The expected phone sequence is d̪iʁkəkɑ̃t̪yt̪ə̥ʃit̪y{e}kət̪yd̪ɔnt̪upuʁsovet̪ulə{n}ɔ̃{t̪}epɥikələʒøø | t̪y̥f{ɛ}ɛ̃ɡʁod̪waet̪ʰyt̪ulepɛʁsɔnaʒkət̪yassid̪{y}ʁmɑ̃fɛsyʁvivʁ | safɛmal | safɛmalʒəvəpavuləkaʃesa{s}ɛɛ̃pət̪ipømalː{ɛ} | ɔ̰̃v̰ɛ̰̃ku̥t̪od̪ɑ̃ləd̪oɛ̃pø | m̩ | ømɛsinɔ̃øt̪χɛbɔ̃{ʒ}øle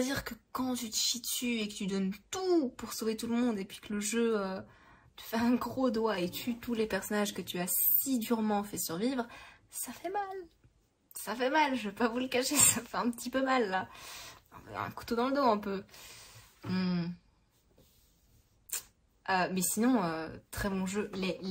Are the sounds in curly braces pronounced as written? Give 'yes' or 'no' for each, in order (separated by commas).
yes, no, no, yes, yes, no, no, yes